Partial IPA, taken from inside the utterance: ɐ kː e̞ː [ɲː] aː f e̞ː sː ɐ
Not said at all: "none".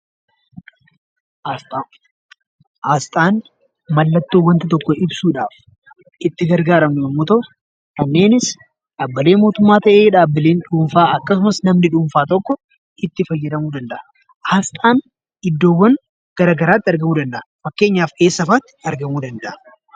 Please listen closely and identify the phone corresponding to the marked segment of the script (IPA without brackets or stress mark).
ɲː